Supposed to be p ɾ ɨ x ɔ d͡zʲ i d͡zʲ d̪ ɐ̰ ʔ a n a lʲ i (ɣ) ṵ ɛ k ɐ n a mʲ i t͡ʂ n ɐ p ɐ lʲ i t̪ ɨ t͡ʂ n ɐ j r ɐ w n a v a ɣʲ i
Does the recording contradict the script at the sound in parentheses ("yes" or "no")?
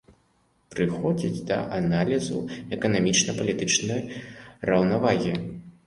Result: yes